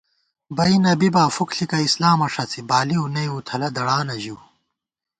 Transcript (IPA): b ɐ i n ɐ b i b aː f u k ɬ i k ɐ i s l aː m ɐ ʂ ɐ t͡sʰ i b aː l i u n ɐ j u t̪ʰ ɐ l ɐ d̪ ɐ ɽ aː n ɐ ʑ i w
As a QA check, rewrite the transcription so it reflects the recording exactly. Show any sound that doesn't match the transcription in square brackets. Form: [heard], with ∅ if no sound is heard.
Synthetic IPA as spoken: b ɐ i n ɐ b i b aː f u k ɬ i k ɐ i s l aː m ɐ ʂ ɐ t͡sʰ i b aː l i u n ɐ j u t̪ʰ ɐ l ɐ d̪ ɐ ɽ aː n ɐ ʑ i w